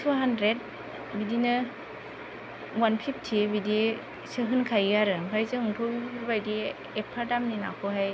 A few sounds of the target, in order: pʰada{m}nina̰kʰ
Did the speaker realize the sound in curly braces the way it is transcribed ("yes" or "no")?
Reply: yes